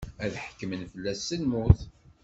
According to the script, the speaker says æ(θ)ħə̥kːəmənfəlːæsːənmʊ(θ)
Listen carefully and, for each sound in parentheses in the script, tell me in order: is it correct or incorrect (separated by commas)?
incorrect, correct